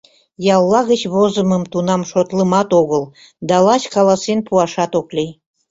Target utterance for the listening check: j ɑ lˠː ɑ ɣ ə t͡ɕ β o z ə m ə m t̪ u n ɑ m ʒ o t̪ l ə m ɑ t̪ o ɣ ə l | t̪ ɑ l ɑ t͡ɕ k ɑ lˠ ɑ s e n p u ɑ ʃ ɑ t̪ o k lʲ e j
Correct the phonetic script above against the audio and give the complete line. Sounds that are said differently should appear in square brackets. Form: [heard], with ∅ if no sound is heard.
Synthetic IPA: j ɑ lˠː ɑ ɣ ə t͡ɕ β o z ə m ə m t̪ u n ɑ m [ʃ] o t̪ l ə m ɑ t̪ o ɣ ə l | [d̪] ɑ l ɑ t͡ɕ k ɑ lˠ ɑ s e n p u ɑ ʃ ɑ t̪ o k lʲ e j